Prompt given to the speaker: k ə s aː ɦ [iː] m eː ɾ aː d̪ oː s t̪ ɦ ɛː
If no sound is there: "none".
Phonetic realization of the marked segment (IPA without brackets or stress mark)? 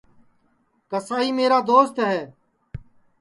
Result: iː